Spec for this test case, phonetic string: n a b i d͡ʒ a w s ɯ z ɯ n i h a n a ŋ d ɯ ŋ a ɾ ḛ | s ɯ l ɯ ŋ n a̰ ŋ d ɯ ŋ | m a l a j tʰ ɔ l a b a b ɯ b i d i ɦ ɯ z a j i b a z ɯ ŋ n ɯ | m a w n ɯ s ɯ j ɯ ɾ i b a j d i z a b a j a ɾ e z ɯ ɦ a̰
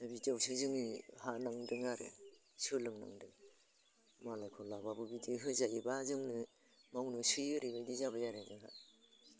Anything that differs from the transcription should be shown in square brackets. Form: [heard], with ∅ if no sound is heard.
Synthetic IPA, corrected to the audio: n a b i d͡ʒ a w s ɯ z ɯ [ŋ] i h a n a ŋ d ɯ ŋ a ɾ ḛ | s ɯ l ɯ ŋ n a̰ ŋ d ɯ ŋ | m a l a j [kʰ] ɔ l a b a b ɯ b i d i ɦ ɯ z a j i b a z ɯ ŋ n ɯ | m a w n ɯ s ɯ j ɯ ɾ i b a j d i z a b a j a ɾ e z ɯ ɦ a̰